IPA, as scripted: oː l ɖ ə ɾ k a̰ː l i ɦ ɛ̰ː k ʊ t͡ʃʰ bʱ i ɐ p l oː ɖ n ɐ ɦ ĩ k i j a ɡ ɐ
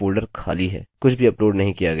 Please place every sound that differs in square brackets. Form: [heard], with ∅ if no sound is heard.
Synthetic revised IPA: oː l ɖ ə ɾ [kʰ] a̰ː l i ɦ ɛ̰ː k ʊ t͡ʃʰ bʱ i ɐ p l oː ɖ n ɐ ɦ ĩ k i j a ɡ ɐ